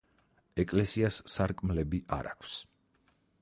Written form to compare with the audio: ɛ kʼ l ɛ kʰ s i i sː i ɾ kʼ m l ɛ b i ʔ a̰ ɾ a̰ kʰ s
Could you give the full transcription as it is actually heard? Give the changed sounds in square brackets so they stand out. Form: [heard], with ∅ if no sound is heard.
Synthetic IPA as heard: ɛ kʼ l ɛ [∅] s i [a] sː [a] ɾ kʼ m l ɛ b i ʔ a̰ ɾ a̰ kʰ s